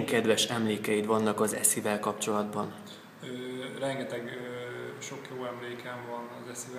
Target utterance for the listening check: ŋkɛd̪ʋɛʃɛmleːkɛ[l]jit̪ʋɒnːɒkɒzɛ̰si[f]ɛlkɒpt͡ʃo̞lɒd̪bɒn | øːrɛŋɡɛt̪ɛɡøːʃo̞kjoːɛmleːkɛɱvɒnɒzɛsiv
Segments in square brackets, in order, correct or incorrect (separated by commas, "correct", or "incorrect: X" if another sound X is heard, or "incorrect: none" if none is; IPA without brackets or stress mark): incorrect: none, incorrect: v